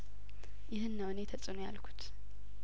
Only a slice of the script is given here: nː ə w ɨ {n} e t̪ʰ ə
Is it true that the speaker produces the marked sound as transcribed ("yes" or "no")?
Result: yes